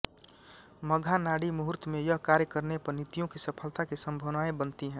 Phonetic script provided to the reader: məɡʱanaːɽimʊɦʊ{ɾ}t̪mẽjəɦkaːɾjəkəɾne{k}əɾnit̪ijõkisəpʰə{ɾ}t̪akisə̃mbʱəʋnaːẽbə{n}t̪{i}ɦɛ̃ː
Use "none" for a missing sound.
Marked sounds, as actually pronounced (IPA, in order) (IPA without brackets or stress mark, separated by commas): ɾ, p, l, n, i